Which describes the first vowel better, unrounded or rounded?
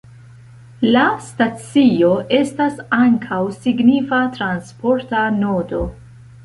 unrounded